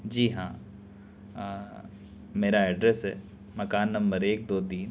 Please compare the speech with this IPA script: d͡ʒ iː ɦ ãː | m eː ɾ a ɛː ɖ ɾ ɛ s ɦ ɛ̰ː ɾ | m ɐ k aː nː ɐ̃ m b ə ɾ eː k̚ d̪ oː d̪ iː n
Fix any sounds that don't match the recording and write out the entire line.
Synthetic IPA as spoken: d͡ʒ iː ɦ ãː | m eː ɾ a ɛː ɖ ɾ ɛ s ɦ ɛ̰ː | m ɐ k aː nː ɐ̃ m b ə ɾ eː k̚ d̪ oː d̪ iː n